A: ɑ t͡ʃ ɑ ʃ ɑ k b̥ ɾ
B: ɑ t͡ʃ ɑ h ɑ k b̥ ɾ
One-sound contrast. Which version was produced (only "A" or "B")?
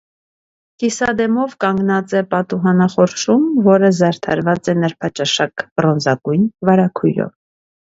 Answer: A